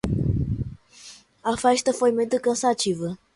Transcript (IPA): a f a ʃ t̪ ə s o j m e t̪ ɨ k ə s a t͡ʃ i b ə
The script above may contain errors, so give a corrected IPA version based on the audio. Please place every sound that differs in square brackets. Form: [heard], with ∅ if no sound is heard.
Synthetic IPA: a f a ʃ t̪ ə [f] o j m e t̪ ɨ k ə s a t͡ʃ i [v] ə